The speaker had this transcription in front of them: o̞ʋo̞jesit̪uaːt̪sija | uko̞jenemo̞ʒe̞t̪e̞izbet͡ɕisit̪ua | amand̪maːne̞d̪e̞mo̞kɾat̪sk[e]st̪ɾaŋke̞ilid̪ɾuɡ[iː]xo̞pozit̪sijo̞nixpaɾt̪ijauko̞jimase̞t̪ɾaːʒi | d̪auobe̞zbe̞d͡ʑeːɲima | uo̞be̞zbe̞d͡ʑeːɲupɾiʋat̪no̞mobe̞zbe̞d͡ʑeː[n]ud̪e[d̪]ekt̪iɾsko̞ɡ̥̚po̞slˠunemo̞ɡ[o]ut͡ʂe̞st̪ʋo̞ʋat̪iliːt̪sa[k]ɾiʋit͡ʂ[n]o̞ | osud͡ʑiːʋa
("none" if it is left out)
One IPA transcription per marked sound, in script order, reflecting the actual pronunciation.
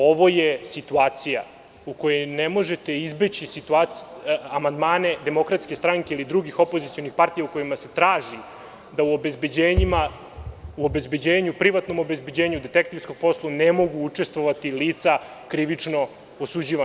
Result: e, i, ɲ, t̪, u, k, n

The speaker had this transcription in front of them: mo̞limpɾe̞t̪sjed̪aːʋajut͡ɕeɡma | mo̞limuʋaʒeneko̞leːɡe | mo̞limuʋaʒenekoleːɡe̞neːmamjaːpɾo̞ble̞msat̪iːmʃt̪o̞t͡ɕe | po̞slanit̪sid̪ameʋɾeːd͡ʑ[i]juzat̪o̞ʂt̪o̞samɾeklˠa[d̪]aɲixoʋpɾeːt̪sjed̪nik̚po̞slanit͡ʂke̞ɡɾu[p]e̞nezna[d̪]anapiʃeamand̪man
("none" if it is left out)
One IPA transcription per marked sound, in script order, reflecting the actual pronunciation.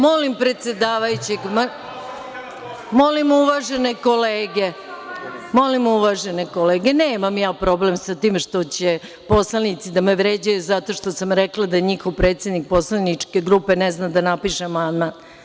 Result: a, d̪, p, d̪

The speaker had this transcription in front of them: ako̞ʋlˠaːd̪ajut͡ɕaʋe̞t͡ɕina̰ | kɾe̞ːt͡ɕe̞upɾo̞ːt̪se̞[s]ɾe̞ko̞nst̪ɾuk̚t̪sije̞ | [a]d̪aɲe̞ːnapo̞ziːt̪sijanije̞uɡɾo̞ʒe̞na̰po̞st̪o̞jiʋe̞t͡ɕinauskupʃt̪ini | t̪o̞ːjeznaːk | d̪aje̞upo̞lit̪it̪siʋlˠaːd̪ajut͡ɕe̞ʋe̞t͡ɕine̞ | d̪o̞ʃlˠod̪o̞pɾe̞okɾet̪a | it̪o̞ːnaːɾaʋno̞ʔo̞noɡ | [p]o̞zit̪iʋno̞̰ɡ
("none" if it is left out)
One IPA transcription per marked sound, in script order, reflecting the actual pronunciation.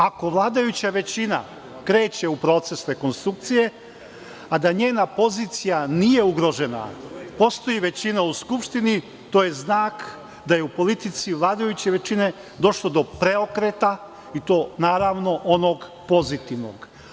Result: s, a, p

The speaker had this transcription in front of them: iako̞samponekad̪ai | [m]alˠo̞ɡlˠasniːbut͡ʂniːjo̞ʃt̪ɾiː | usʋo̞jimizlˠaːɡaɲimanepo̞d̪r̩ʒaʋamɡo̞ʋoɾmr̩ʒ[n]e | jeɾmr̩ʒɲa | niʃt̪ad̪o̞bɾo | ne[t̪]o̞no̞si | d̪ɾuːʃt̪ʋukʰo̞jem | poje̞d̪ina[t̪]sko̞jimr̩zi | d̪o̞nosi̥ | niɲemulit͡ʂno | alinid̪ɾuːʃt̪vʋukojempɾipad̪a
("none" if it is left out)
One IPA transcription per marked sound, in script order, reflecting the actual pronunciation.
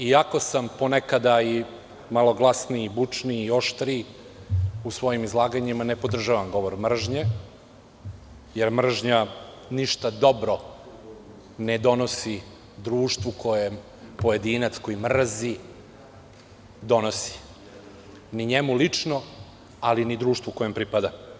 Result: m, ɲ, d̪, t̪

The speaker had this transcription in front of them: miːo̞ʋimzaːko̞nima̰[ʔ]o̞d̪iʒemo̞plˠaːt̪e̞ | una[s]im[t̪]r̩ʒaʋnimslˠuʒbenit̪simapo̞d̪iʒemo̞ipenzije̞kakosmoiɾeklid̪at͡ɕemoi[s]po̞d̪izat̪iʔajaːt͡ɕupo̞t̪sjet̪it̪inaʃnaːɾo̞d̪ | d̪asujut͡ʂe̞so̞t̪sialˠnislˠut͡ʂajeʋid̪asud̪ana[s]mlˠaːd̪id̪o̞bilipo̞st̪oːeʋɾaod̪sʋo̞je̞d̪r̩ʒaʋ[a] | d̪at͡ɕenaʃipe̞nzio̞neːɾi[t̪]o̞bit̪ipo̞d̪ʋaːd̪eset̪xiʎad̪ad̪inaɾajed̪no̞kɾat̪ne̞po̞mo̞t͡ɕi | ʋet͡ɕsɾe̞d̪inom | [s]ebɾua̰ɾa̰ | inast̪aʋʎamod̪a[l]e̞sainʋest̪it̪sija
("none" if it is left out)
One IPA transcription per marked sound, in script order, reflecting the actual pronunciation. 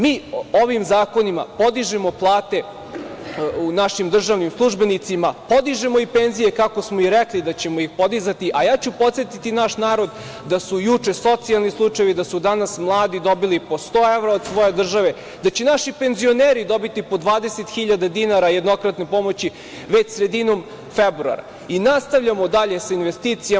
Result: p, ʃ, d̪, x, s, e, d̪, f, ʎ

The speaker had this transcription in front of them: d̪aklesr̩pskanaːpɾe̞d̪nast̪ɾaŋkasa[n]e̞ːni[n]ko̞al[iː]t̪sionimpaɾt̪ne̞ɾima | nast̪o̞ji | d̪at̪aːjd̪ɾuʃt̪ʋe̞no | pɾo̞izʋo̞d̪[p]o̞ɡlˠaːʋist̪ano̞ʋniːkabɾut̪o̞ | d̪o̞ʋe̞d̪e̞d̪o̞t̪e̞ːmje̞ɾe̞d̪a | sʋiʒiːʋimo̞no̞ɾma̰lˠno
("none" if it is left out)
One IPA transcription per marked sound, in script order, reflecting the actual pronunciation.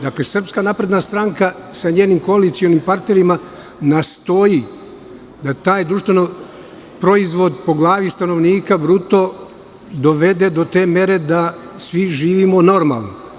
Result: ɲ, m, i, p

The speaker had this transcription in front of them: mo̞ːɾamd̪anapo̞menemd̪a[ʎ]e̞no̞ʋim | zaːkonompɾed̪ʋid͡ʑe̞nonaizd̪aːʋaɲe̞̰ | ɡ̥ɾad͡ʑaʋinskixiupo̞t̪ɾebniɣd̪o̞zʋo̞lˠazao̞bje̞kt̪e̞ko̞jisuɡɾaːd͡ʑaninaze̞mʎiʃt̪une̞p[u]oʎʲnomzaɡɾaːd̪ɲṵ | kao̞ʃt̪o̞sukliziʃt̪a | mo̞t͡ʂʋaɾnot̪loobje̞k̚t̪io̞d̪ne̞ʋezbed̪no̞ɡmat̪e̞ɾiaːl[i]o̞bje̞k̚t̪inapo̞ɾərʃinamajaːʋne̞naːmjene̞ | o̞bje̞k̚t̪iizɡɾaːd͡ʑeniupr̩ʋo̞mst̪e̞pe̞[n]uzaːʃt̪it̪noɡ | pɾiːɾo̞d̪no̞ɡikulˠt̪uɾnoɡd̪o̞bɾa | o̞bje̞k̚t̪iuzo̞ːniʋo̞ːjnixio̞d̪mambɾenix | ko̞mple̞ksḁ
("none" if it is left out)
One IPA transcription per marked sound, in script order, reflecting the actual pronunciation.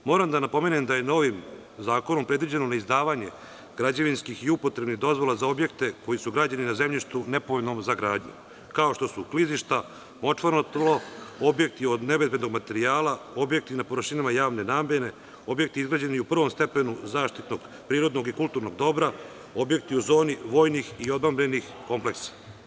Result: j, o, a, n

